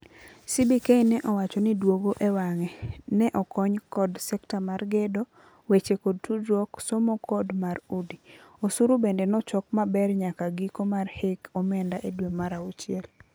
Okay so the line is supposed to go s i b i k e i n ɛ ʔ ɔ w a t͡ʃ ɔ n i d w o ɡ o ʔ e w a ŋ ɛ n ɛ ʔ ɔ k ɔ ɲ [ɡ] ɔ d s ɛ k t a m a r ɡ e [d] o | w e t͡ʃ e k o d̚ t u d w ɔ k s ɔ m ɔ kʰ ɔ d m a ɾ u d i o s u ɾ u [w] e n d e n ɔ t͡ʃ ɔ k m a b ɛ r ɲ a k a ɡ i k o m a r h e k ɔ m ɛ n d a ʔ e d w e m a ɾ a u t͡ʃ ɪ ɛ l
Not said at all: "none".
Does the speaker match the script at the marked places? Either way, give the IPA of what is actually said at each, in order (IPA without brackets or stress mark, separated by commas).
k, d, b